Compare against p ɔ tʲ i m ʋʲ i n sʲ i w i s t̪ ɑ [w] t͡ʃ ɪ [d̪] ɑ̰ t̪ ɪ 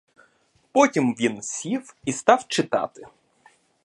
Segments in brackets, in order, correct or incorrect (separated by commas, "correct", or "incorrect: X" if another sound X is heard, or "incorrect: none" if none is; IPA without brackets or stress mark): correct, incorrect: t̪